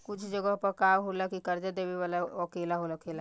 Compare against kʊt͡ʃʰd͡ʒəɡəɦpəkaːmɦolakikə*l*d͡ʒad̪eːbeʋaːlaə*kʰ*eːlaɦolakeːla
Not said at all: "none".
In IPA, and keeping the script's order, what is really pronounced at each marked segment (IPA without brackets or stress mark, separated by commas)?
ɾ, k